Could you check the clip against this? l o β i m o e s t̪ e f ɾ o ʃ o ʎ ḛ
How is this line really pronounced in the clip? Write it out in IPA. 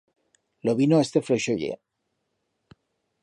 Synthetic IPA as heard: l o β i n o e s t̪ e f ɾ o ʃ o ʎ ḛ